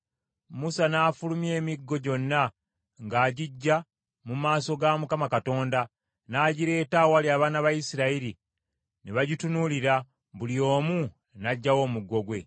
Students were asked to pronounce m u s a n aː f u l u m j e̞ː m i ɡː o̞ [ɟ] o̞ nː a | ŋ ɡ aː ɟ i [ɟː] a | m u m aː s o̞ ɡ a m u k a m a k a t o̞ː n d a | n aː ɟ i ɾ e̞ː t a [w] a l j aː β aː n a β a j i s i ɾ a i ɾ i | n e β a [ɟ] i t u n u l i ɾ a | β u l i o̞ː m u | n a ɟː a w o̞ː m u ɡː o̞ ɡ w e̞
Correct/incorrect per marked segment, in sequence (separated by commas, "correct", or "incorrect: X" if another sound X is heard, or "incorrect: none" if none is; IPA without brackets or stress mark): correct, correct, correct, correct